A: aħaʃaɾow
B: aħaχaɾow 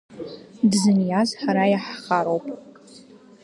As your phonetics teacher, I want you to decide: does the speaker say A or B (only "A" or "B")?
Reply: B